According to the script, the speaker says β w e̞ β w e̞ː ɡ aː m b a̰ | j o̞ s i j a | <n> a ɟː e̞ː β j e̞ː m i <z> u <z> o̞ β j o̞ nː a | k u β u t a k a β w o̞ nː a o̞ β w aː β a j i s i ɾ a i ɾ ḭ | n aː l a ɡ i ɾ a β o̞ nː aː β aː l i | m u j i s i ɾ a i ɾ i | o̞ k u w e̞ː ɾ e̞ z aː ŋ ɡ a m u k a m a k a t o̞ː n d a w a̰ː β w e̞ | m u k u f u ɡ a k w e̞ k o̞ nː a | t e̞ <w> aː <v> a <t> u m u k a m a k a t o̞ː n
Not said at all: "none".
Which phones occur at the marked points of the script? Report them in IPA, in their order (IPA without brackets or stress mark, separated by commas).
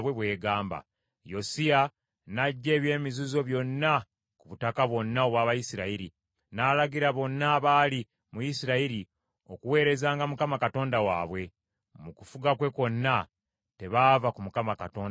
n, z, z, β, v, k